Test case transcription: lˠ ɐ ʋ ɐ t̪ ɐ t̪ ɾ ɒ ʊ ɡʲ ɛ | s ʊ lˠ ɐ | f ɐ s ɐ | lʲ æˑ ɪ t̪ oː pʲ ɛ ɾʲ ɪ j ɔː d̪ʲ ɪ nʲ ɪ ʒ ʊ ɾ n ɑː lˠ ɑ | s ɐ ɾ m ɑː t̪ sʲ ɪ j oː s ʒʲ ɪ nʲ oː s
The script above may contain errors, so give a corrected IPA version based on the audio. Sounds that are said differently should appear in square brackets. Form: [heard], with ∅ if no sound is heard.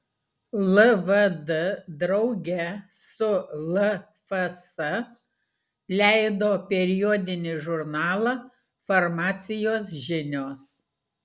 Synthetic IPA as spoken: lˠ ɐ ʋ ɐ [d̪] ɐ [d̪] ɾ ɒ ʊ ɡʲ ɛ | s ʊ lˠ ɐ | f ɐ s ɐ | lʲ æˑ ɪ [d̪] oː pʲ ɛ ɾʲ ɪ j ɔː d̪ʲ ɪ nʲ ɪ ʒ ʊ ɾ n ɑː lˠ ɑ | [f] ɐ ɾ m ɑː t̪ sʲ ɪ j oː s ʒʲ ɪ nʲ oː s